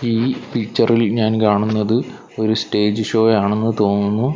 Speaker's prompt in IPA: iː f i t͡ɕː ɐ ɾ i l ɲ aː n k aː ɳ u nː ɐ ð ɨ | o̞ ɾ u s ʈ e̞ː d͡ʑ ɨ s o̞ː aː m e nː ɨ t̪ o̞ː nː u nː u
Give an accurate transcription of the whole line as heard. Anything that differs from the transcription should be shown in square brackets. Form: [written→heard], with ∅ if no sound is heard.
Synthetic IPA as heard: iː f i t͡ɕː ɐ [ɾ→r] i l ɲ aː n k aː ɳ u nː ɐ ð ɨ | o̞ ɾ u s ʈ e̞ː d͡ʑ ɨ [s→ʂ] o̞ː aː [m→ɳ] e nː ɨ t̪ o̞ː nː u nː u